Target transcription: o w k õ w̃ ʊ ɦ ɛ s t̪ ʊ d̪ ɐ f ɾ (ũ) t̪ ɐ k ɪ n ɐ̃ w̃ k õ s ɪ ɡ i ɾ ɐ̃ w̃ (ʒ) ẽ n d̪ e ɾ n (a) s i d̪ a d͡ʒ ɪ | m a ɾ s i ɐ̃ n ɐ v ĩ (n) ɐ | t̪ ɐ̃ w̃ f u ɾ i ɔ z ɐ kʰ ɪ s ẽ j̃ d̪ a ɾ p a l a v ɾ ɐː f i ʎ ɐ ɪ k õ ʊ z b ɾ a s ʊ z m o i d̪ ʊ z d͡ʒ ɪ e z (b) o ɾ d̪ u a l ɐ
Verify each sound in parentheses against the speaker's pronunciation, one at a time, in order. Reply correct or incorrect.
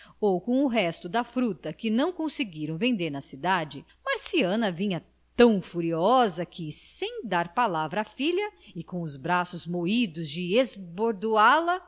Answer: incorrect, incorrect, incorrect, incorrect, correct

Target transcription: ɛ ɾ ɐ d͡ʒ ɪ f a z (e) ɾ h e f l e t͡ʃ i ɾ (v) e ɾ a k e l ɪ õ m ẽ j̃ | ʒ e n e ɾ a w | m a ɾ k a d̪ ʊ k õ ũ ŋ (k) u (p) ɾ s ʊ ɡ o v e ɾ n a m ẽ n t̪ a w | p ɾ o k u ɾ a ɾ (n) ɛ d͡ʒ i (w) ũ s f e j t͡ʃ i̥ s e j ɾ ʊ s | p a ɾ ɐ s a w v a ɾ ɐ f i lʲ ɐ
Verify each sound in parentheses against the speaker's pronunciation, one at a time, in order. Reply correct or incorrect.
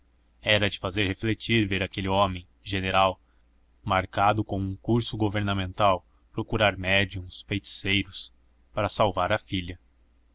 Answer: correct, correct, correct, incorrect, incorrect, incorrect

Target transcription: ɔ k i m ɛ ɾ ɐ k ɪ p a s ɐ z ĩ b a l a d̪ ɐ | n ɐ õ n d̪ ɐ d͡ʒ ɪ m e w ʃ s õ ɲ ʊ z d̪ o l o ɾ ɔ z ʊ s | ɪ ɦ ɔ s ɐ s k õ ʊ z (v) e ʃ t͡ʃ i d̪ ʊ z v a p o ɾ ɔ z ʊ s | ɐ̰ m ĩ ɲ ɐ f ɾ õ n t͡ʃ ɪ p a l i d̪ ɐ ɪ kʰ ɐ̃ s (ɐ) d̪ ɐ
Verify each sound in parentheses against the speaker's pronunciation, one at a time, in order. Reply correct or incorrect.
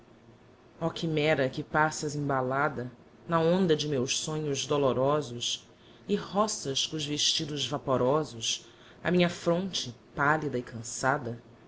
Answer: correct, incorrect

